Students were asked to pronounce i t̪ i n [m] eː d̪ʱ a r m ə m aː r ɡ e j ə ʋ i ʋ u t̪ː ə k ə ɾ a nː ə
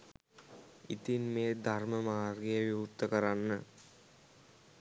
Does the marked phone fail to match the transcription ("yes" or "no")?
no